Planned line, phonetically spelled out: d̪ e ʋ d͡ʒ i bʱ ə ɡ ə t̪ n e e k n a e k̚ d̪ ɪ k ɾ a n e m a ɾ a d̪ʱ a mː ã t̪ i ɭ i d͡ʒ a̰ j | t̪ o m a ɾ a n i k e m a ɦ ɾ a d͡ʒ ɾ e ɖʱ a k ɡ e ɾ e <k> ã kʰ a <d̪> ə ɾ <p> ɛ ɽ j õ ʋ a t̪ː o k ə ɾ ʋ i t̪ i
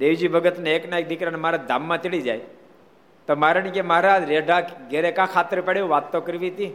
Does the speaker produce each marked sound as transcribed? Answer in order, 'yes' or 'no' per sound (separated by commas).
yes, no, yes